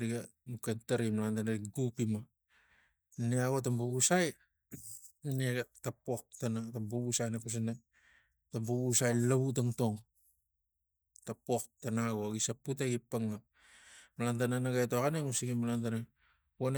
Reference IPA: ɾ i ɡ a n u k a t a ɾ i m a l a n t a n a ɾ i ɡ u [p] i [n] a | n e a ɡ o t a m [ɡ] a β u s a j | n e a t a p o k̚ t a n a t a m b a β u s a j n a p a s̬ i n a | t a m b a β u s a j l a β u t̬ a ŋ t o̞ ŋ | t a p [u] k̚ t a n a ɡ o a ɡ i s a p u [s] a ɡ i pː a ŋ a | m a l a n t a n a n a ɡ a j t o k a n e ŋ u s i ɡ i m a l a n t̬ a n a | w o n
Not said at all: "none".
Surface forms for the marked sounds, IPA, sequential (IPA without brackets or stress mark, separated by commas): p, m, b, o, t